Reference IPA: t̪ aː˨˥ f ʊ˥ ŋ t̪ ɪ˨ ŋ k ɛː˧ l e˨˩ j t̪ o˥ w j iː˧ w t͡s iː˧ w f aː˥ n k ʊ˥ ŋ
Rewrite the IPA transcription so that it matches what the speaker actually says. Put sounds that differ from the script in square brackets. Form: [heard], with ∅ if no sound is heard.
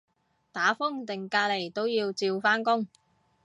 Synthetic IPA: t̪ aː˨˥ f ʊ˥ ŋ t̪ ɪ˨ ŋ k [aː˧] l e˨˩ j t̪ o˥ w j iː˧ w t͡s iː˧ w f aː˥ n k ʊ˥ ŋ